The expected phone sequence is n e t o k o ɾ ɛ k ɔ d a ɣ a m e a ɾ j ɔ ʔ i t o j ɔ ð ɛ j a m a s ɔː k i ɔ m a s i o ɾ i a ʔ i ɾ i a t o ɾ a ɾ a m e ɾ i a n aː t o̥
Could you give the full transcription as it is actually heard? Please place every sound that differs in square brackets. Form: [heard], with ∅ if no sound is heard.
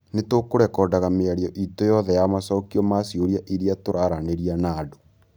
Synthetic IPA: n e t o k o ɾ ɛ k ɔ d a ɣ a m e a ɾ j ɔ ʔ i t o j ɔ ð ɛ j a m a s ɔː k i ɔ m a s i o ɾ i a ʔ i ɾ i a t o ɾ a ɾ a [n] e ɾ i a n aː [d] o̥